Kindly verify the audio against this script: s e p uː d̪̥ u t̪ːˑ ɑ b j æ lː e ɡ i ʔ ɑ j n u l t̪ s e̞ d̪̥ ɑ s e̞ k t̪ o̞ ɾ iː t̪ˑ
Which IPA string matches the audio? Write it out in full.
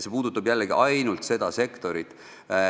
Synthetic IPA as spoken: s e p uː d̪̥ u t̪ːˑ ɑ b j æ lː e ɡ i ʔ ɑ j n u l t̪ s e̞ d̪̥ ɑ s e̞ k t̪ o̞ ɾ i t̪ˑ